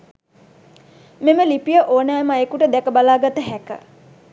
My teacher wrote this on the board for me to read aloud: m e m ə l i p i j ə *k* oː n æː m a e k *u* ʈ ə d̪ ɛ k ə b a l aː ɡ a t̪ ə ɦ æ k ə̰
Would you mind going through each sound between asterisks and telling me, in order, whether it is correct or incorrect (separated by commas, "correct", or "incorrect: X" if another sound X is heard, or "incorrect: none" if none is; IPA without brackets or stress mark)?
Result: incorrect: ʔ, correct